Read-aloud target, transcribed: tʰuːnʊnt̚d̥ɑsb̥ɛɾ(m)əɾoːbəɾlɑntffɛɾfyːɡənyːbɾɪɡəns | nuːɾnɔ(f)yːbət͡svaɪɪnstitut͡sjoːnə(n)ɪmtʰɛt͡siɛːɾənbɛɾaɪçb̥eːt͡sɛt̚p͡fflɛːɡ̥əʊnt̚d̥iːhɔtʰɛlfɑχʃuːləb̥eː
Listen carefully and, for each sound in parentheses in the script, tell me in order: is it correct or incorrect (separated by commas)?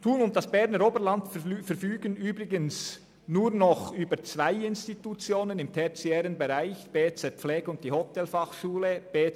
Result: incorrect, incorrect, correct